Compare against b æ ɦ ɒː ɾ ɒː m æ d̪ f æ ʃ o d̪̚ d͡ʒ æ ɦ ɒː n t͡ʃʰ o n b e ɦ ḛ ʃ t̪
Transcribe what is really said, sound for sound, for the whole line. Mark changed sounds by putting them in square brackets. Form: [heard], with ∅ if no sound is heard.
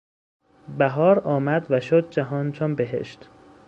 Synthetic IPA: b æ ɦ ɒː ɾ ɒː m æ d̪ [v] æ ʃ o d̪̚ d͡ʒ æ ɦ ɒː n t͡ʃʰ o n b e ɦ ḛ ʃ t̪